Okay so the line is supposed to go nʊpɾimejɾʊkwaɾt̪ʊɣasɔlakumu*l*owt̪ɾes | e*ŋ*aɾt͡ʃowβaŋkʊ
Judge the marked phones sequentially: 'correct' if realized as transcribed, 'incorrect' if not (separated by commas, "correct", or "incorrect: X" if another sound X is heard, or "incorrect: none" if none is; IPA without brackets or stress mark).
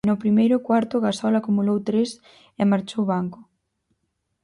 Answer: correct, incorrect: m